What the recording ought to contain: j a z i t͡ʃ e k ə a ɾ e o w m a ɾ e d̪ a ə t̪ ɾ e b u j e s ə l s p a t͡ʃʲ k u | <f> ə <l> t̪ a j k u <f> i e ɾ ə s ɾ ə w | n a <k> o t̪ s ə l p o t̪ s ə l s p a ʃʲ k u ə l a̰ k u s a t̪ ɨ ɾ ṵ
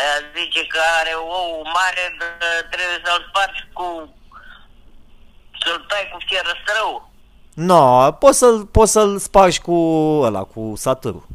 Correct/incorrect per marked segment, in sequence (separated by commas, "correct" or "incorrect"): incorrect, correct, correct, incorrect